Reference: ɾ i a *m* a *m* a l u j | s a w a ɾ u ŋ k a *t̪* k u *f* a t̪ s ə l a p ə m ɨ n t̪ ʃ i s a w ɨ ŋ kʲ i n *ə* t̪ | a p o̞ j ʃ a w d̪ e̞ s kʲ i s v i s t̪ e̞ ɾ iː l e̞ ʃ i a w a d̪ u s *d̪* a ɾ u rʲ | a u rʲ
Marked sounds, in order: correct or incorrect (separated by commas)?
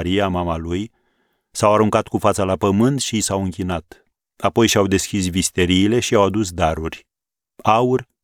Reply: correct, correct, correct, correct, incorrect, correct